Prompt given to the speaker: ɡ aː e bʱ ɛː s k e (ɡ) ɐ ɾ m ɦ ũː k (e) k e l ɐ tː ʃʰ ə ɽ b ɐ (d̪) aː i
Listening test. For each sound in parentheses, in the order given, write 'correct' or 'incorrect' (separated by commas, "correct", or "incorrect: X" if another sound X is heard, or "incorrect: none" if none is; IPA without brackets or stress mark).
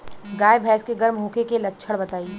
correct, correct, incorrect: t̪